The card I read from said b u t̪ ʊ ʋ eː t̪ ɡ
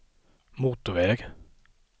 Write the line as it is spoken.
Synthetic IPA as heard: m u t̪ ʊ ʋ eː ɡ